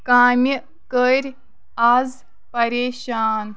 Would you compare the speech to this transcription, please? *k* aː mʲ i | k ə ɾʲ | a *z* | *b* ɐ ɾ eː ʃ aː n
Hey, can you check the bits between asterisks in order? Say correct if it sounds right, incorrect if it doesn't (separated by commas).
correct, correct, incorrect